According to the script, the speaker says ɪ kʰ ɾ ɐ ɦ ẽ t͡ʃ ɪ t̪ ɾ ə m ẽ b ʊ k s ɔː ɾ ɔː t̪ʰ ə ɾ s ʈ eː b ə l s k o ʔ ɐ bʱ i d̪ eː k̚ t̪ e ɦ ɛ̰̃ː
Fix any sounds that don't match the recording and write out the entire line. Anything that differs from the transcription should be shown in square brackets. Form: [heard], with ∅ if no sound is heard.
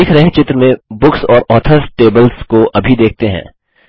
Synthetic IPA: ɪ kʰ ɾ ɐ ɦ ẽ t͡ʃ ɪ t̪ ɾ ə m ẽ b ʊ k s ɔː ɾ ɔː t̪ʰ ə ɾ s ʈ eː b ə l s k o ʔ ɐ bʱ i d̪ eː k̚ t̪ e ɦ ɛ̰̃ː